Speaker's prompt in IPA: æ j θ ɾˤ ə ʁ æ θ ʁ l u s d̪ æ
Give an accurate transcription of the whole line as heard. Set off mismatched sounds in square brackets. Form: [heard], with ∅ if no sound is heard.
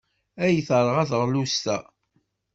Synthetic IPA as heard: æ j θ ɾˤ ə ʁ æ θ ʁ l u s [t̪] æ